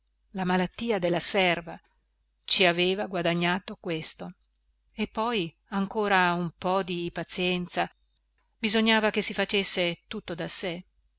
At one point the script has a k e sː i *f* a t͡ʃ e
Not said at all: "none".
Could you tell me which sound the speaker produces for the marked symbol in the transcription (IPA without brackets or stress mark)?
f